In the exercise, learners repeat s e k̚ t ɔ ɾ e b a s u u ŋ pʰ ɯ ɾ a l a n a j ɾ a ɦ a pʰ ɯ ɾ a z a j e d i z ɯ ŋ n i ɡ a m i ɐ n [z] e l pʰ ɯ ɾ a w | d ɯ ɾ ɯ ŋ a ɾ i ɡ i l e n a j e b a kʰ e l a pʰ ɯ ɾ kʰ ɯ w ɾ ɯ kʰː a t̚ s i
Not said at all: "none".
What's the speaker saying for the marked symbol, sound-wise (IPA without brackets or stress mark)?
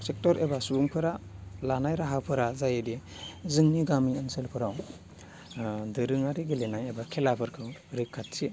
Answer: s